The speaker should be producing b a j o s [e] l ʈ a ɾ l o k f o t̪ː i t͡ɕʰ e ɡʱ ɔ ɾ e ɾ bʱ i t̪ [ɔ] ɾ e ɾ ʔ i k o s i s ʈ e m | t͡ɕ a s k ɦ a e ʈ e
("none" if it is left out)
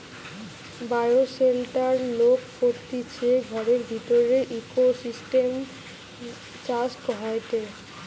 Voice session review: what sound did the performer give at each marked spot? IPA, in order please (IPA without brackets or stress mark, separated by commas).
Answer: e, o